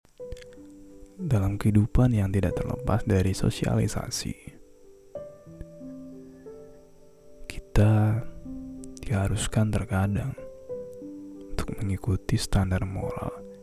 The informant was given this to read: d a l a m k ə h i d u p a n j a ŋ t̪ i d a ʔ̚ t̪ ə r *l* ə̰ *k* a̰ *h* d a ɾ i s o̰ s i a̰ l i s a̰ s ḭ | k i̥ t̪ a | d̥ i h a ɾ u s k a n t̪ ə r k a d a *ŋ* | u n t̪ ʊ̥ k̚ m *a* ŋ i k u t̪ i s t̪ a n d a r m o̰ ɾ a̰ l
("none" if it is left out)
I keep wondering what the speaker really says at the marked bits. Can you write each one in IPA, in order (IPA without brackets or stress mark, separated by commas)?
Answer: l, p, s, ŋ, ə